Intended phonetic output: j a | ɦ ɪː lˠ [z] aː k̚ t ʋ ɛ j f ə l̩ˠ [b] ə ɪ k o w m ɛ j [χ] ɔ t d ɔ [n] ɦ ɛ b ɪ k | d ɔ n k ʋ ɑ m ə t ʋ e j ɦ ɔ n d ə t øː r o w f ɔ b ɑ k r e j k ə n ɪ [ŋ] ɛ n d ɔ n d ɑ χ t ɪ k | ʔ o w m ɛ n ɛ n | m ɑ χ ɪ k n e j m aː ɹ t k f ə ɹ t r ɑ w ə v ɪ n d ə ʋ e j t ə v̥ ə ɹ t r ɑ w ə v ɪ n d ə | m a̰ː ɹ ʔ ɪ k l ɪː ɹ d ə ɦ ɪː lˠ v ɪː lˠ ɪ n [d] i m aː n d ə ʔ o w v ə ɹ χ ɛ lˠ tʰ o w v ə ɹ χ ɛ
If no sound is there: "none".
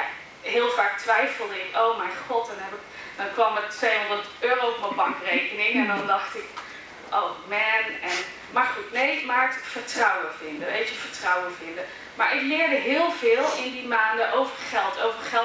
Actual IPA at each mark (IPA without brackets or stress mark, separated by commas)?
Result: v, d, χ, n, ŋ, d